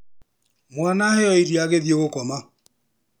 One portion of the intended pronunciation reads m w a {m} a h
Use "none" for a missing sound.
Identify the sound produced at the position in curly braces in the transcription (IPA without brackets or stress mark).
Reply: n